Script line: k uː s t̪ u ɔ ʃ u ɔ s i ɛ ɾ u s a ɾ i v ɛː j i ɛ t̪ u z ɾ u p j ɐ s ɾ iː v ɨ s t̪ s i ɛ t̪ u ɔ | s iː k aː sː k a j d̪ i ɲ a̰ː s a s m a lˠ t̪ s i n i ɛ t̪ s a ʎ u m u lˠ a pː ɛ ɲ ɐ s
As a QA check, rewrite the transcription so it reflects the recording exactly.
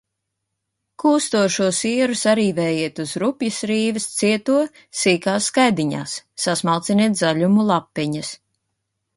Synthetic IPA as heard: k uː s t̪ u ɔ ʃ u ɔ s i ɛ ɾ u s a ɾ iː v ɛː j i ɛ t̪ u z ɾ u p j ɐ s ɾ iː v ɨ s t̪ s i ɛ t̪ u ɔ | s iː k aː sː k a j d̪ i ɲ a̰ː sː a s m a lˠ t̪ s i n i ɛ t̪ z a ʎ u m u lˠ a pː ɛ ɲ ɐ s